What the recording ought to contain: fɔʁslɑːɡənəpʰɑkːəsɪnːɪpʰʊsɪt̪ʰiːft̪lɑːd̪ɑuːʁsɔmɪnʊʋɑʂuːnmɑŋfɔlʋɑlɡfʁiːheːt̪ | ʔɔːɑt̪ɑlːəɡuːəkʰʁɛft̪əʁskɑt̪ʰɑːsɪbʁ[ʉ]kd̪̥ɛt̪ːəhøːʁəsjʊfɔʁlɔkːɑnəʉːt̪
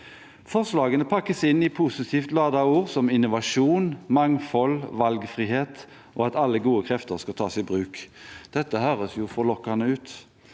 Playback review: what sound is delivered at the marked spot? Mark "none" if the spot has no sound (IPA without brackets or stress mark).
ʉː